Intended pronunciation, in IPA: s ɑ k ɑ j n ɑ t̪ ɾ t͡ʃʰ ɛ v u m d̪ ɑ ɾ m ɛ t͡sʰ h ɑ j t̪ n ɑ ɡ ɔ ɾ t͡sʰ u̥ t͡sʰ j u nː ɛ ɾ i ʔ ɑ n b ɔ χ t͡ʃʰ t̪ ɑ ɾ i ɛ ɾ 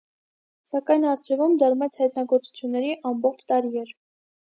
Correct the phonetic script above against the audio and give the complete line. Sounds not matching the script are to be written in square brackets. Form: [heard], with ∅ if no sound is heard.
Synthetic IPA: s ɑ k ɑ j n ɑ [∅] ɾ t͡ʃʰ ɛ v u m d̪ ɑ ɾ m ɛ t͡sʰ h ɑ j t̪ n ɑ ɡ ɔ ɾ [t͡s] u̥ t͡sʰ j u nː ɛ ɾ i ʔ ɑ [m] b ɔ χ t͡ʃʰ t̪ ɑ ɾ i ɛ ɾ